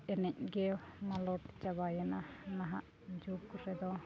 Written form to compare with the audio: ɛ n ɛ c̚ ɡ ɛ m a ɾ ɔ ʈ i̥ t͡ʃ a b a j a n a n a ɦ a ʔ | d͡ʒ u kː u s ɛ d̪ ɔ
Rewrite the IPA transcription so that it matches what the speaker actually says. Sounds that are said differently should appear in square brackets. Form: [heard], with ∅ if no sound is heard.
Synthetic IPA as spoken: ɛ n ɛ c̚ ɡ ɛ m a [l] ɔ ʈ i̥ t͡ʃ a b a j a n a n a ɦ a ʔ | d͡ʒ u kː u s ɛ d̪ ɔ